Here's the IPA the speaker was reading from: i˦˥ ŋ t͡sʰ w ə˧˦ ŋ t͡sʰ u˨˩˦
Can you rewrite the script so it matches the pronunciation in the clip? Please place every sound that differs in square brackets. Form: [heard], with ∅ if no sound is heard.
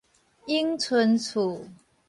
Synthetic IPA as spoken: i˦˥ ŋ t͡sʰ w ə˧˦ [n] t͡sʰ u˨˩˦